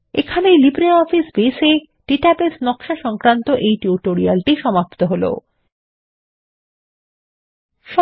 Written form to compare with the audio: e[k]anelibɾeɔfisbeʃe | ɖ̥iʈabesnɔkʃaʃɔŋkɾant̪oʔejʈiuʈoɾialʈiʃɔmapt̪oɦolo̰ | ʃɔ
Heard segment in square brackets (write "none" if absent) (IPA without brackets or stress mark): kʰ